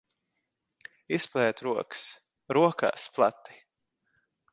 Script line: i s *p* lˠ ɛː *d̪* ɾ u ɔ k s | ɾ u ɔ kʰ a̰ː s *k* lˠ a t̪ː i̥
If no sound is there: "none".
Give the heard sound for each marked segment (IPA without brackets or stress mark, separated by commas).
p, t̪, p